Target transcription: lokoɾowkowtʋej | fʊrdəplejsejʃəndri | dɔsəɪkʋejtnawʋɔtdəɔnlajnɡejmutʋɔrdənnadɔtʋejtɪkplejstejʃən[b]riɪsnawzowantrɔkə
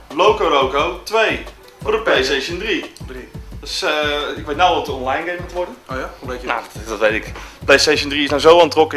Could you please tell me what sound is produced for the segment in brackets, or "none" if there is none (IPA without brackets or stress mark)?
d